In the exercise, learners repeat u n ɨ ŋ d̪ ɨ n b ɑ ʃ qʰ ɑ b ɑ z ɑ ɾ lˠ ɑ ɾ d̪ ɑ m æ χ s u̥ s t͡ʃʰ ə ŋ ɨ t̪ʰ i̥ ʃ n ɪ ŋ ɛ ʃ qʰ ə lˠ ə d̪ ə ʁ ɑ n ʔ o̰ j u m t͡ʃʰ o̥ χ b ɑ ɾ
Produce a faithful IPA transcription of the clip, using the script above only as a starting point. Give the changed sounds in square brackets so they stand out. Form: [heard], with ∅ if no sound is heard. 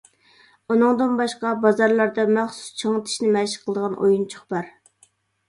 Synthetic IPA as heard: u n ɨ ŋ d̪ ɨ n b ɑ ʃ [q] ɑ b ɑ z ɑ ɾ lˠ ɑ ɾ d̪ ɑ m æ χ s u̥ s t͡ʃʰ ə ŋ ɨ t̪ʰ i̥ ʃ n ɪ [m] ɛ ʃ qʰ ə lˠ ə d̪ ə ʁ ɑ n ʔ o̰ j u [n] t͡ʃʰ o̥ χ b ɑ ɾ